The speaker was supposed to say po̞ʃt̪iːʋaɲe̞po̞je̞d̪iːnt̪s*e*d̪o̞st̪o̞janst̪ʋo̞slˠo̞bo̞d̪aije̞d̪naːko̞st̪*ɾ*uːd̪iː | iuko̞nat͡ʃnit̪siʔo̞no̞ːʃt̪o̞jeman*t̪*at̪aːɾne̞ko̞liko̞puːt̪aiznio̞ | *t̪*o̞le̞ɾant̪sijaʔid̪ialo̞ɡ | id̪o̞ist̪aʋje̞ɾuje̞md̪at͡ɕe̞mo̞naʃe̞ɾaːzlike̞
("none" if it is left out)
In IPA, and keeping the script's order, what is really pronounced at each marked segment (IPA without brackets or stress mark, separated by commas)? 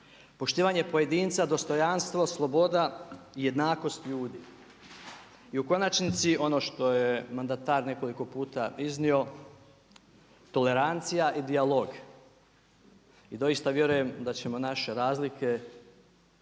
a, ʎ, d̪, t̪